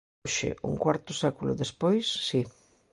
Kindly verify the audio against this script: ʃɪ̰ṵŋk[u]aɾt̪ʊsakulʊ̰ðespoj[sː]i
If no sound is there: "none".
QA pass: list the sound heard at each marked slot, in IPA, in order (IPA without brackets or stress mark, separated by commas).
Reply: w, sː